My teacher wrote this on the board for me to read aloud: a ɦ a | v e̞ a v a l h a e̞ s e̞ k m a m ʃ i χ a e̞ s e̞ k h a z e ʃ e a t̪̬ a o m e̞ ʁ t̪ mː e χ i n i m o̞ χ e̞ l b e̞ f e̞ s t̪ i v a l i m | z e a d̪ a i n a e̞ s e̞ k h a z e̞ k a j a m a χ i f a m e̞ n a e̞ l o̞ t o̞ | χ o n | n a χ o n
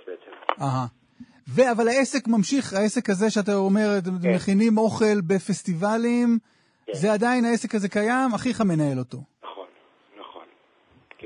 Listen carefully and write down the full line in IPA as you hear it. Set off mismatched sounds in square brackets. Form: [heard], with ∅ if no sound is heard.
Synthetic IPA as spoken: a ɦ a | v e̞ a v a l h a e̞ s e̞ k m a m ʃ i χ a e̞ s e̞ k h a z e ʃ e a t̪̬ a o m e̞ ʁ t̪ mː e χ i n i m o̞ χ e̞ l b e̞ f e̞ s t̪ i v a l i m | z e a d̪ a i n a e̞ s e̞ k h a z e̞ k a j a m a χ i [χ] a m e̞ n a e̞ l o̞ t o̞ | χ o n | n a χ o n